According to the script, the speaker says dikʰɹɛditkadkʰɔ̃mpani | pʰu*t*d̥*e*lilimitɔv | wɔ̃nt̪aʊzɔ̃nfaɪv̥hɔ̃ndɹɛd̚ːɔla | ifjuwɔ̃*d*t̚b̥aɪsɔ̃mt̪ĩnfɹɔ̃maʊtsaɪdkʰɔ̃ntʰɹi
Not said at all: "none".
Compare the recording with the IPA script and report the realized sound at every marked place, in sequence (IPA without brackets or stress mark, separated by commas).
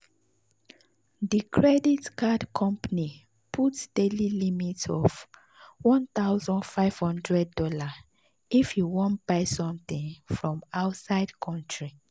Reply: t, e, n